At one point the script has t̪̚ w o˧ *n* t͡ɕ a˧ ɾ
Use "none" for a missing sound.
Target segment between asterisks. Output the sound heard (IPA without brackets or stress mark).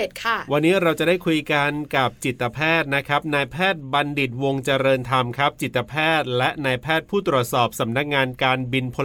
ŋ